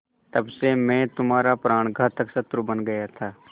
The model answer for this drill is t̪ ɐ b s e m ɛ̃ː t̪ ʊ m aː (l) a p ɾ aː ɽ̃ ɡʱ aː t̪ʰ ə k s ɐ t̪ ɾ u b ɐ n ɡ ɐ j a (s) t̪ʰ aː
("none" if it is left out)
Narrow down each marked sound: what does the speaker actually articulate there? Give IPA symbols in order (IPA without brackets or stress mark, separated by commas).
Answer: ɾ, none